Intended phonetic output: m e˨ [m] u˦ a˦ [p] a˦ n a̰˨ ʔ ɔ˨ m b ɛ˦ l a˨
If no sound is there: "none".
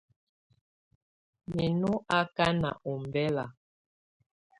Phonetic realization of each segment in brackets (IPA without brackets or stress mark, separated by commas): n, k